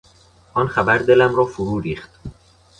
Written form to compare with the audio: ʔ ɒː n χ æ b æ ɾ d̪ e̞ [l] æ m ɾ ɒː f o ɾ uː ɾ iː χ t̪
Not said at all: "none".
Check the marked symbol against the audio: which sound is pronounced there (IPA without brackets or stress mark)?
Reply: l